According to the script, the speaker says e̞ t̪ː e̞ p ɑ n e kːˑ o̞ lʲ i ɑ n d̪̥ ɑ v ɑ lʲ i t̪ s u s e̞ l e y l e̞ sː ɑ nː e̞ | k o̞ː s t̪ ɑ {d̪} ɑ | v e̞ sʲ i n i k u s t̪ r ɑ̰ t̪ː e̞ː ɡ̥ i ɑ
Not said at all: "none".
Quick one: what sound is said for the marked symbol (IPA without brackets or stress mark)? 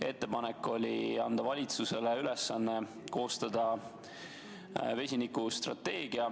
d̪